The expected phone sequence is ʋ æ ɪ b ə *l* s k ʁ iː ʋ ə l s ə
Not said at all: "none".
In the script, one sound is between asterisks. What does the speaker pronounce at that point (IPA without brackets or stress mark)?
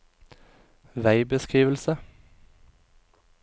none